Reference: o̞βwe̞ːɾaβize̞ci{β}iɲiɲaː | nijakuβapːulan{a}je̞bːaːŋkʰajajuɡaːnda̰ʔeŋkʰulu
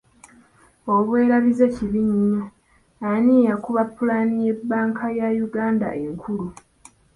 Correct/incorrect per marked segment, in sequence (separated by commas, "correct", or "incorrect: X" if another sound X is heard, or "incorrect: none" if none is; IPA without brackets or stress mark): correct, incorrect: i